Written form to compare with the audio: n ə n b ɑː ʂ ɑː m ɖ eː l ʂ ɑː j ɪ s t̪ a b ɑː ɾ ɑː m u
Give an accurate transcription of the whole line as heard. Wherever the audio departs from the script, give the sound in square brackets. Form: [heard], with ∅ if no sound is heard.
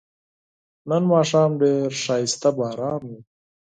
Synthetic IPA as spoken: n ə n [m] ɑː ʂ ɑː m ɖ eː [ɾ] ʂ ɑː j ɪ s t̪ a b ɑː ɾ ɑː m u